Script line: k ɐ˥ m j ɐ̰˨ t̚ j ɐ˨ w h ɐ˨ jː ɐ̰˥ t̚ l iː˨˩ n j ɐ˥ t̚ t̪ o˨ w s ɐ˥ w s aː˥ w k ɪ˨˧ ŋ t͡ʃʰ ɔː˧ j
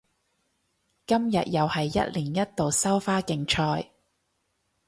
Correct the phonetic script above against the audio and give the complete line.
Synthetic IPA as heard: k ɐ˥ m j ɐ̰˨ t̚ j ɐ˨ w h ɐ˨ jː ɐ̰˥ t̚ l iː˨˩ n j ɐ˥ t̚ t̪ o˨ w s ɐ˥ w f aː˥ k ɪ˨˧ ŋ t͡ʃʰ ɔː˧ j